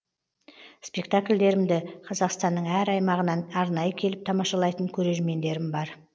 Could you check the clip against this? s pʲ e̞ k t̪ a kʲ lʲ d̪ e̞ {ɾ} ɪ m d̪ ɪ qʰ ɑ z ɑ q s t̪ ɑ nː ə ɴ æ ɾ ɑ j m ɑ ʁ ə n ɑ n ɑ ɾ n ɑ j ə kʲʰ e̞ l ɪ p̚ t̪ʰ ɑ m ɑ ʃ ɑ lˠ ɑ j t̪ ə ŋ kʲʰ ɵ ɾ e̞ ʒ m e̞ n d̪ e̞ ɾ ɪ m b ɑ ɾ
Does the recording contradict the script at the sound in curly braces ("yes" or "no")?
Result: no